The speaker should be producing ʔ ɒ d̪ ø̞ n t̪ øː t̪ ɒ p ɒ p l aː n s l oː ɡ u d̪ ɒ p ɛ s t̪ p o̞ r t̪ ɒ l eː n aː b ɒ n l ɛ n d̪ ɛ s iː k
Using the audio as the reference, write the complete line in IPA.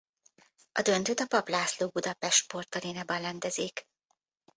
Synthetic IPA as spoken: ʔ ɒ d̪ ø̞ n t̪ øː t̪ ɒ p ɒ p l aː s l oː b u d̪ ɒ p ɛ ʃ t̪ p o̞ r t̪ ɒ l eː n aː b ɒ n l ɛ n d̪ ɛ z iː k